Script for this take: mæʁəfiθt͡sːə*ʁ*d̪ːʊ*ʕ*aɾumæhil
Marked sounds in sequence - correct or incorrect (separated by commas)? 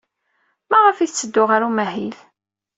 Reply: incorrect, incorrect